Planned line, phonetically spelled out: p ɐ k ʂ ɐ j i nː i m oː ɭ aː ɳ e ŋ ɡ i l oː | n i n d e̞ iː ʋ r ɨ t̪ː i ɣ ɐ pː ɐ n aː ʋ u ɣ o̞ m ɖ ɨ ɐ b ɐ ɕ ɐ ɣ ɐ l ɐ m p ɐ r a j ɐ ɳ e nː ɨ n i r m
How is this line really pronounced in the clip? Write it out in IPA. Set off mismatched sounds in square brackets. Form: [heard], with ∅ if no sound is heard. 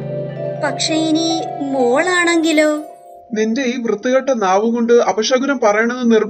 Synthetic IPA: p ɐ k ʂ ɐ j i [n] i m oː ɭ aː ɳ e ŋ ɡ i l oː | n i n d e̞ iː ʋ r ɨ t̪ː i ɣ ɐ [ʈː] ɐ n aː ʋ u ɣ o̞ [ɳ] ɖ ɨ ɐ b ɐ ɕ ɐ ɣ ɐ [ɾ] ɐ m p ɐ r [ɐ] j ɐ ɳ e nː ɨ n i r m